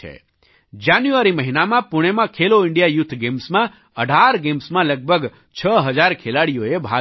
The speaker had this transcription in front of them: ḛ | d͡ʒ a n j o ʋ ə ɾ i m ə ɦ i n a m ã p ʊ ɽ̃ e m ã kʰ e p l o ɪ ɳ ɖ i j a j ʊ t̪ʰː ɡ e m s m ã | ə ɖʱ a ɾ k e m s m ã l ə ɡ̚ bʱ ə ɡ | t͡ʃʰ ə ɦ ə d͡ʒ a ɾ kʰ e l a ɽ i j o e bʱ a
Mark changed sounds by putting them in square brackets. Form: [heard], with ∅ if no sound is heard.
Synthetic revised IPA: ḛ | d͡ʒ a n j [u] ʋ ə ɾ i m ə ɦ i n a m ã p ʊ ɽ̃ e m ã kʰ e [∅] l o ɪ ɳ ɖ i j a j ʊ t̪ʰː ɡ e m s m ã | ə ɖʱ a ɾ [ɡ] e m s m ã l ə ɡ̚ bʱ ə ɡ | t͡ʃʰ ə ɦ ə d͡ʒ a ɾ kʰ e l a ɽ i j o e bʱ a

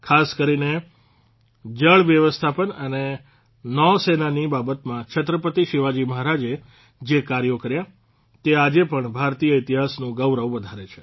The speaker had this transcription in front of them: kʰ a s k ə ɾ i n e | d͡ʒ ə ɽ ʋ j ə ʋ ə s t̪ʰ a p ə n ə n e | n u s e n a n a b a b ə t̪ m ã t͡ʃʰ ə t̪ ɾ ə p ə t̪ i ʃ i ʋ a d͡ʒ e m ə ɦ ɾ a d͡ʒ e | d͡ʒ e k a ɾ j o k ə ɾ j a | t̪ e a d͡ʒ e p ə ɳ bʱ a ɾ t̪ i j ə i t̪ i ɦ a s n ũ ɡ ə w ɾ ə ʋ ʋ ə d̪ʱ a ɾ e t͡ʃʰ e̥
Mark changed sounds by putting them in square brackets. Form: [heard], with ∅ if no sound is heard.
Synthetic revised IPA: kʰ a s k ə ɾ i n e | d͡ʒ ə [ɭ] ʋ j ə ʋ ə s t̪ʰ a p ə n ə n e | n [ɔ] s e n a n [i] b a b ə t̪ m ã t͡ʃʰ ə t̪ ɾ ə p ə t̪ i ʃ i ʋ a d͡ʒ [i] m ə ɦ ɾ a d͡ʒ e | d͡ʒ e k a ɾ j o k ə ɾ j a | t̪ e a d͡ʒ e p ə ɳ bʱ a ɾ t̪ i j ə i t̪ i ɦ a s n ũ ɡ ə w ɾ ə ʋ ʋ ə d̪ʱ a ɾ e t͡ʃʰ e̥

